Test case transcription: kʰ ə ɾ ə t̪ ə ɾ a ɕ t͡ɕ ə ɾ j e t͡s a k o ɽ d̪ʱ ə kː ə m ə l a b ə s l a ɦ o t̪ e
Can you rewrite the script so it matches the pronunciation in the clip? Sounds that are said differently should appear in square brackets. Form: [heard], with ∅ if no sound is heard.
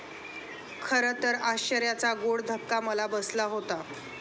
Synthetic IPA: kʰ ə ɾ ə t̪ ə ɾ a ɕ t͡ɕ ə ɾ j [a] t͡s a [ɡ] o ɽ d̪ʱ ə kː [a] m ə l a b ə s l a ɦ o t̪ [a]